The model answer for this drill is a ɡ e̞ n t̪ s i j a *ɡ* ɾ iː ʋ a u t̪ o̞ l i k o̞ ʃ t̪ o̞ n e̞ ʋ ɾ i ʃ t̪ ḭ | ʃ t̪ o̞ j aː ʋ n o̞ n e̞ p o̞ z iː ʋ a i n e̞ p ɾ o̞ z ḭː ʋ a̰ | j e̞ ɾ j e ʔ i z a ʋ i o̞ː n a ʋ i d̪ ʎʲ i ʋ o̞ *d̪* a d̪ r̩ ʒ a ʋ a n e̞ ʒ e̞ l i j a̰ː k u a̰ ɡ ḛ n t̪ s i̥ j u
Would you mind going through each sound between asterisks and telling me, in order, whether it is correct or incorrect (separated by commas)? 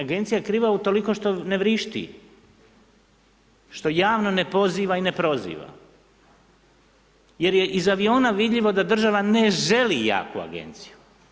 incorrect, correct